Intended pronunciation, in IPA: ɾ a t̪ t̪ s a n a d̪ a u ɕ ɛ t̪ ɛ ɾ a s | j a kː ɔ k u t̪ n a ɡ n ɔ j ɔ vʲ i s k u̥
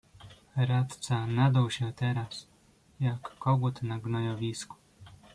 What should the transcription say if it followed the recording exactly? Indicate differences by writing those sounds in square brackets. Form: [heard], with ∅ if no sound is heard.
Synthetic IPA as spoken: ɾ a t̪ t̪ s a n a d̪ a [w] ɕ ɛ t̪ ɛ ɾ a s | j a kː ɔ [ɡ] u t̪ n a ɡ n ɔ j ɔ vʲ i s k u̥